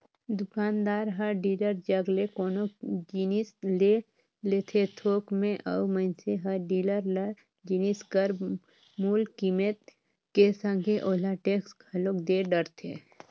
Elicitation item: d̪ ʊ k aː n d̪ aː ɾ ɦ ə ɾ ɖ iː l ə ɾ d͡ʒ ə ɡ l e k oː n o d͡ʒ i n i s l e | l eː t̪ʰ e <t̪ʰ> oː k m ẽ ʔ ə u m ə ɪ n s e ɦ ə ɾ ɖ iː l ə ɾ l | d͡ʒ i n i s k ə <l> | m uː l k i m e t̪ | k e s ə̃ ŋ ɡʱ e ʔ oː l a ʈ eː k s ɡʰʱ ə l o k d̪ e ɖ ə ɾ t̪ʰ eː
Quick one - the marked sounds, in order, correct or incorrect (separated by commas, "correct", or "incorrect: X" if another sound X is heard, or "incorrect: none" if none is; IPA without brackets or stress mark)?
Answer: correct, incorrect: ɾ